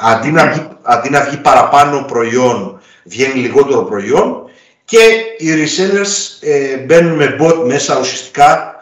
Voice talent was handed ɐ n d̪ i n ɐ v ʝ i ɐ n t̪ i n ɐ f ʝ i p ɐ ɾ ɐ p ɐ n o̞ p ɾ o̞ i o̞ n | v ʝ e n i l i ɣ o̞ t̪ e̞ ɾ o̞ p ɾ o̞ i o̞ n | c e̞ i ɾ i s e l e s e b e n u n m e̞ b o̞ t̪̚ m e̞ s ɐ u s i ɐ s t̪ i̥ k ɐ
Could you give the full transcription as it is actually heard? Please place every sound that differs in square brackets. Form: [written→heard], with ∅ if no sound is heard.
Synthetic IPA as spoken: ɐ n d̪ i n ɐ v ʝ i ɐ n [t̪→d̪] i n ɐ [f→v] ʝ i p ɐ ɾ ɐ p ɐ n o̞ p ɾ o̞ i o̞ n | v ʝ e n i l i ɣ o̞ t̪ e̞ ɾ o̞ p ɾ o̞ i o̞ n | c e̞ i ɾ i s e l e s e b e n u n m e̞ b o̞ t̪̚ m e̞ s ɐ u s i ɐ s t̪ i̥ k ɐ